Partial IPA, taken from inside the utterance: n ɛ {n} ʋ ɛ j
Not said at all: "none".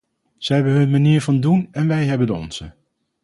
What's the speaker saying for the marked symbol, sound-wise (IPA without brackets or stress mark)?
n